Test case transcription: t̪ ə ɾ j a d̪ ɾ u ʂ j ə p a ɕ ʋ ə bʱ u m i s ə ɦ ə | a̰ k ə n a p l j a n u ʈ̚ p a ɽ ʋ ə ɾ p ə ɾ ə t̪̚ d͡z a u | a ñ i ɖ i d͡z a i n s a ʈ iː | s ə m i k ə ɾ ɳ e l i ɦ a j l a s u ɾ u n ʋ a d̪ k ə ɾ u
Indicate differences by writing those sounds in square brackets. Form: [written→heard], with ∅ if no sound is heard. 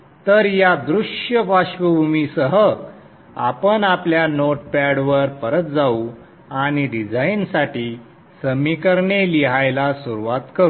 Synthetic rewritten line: t̪ ə ɾ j a d̪ ɾ u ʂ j ə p a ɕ ʋ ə bʱ u m i s ə ɦ ə | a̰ [k→p] ə n a p l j a n [u→o] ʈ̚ p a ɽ ʋ ə ɾ p ə ɾ ə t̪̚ d͡z a u | a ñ i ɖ i d͡z a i n s a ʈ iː | s ə m i k ə ɾ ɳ e l i ɦ a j l a s u ɾ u [n→∅] ʋ a [d̪→t̪] k ə ɾ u